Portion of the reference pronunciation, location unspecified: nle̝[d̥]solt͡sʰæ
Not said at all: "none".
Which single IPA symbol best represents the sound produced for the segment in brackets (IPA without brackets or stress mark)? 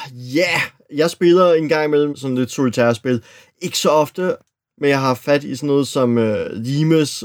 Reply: d̥